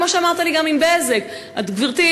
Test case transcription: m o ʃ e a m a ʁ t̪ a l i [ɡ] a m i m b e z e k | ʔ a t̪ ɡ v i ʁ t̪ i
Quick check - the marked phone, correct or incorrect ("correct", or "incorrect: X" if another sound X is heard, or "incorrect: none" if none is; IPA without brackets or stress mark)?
correct